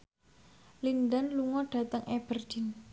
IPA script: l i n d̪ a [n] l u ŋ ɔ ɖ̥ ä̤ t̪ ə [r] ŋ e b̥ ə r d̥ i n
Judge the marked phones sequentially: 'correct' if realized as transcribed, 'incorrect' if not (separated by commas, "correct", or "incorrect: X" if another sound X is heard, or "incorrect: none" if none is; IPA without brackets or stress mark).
correct, incorrect: none